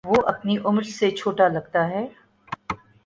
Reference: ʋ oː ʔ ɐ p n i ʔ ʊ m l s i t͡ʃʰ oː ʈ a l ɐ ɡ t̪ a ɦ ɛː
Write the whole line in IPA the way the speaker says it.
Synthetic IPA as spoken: ʋ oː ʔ ɐ p n i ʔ ʊ m ɾ s e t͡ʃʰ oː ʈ a l ɐ ɡ t̪ a ɦ ɛː